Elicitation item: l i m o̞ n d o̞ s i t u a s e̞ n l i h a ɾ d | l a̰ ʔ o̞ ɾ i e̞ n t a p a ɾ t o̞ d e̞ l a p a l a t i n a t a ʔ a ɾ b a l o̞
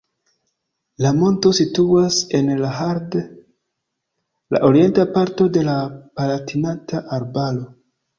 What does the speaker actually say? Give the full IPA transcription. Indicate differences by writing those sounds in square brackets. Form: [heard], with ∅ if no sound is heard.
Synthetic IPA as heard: l [a] m o̞ n [t] o̞ s i t u a s e̞ n l [a] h a ɾ d | l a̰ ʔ o̞ ɾ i e̞ n t a p a ɾ t o̞ d e̞ l a p a l a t i n a t a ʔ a ɾ b a l o̞